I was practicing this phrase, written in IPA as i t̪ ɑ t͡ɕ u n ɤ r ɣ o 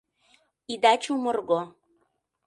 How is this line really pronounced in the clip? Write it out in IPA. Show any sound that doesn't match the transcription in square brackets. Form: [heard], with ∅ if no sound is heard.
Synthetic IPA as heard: i [d̪] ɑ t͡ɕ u [m] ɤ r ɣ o

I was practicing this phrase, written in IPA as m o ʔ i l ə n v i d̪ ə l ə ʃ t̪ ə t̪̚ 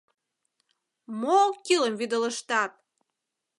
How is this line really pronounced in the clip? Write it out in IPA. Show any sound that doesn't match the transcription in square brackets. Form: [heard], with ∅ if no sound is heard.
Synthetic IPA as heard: m o [k] i l ə [m] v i d̪ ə l ə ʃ t̪ [ɑ] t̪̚

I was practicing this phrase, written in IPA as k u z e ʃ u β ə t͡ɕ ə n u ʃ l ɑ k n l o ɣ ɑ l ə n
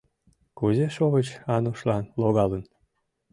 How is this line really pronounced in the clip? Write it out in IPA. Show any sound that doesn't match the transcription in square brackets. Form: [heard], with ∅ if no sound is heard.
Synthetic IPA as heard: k u z e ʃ [o] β ə t͡ɕ [ɑ] n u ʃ l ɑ [∅] n l o ɣ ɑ l ə n

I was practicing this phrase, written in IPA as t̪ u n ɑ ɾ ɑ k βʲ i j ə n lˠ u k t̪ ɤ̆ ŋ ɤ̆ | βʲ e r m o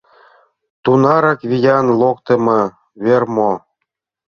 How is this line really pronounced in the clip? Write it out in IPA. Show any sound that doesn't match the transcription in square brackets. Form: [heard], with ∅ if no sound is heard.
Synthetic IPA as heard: t̪ u n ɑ ɾ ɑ k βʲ i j [ɑ] n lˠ [o] k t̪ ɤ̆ [m] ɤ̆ | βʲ e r m o

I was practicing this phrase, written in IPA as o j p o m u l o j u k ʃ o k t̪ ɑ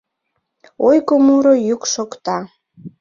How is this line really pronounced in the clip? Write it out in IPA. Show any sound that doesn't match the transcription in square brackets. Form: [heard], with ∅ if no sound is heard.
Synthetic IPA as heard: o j [k] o m u [ɾ] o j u k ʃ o k t̪ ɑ

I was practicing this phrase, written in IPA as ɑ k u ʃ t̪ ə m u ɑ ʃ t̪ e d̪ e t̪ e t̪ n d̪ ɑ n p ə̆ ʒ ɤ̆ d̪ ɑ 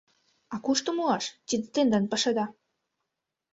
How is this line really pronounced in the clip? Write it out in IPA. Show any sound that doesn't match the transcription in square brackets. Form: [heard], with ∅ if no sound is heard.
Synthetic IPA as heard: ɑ k u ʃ t̪ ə m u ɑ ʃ t̪ [i] d̪ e t̪ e [∅] n d̪ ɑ n p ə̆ [ʃ] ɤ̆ d̪ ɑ

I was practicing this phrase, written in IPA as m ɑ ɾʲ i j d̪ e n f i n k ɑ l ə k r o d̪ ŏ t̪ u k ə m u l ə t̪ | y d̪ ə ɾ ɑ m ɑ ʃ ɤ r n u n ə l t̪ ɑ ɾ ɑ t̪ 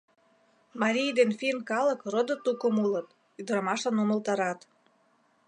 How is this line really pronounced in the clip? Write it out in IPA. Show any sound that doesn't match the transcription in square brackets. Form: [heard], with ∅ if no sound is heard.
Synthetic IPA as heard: m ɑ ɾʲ i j d̪ e n f i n k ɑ l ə k r o d̪ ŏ t̪ u k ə m u l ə t̪ | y d̪ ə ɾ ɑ m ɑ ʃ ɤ [∅] n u [m] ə l t̪ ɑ ɾ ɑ t̪

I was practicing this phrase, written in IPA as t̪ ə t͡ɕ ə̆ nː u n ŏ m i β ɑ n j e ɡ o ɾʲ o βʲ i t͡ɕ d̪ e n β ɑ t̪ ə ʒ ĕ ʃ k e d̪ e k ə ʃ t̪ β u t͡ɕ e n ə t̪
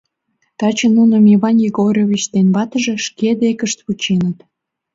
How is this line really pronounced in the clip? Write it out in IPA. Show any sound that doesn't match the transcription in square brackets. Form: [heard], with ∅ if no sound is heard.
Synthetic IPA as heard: t̪ [ɑ] t͡ɕ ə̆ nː u n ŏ m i β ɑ n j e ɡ o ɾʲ o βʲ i t͡ɕ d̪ e n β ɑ t̪ ə ʒ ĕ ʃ k e d̪ e k ə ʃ t̪ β u t͡ɕ e n ə t̪

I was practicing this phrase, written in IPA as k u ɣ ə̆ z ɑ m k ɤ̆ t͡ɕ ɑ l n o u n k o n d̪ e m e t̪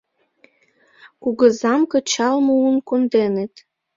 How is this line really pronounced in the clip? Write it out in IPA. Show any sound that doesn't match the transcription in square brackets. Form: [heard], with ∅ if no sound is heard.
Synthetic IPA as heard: k u ɣ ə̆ z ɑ m k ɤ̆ t͡ɕ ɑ l [m] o u n k o n d̪ e [n] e t̪

